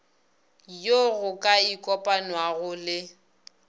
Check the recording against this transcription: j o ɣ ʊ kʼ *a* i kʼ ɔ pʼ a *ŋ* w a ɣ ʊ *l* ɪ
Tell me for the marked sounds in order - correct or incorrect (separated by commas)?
correct, incorrect, correct